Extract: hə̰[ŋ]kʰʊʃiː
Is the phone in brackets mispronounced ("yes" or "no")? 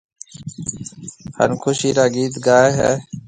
yes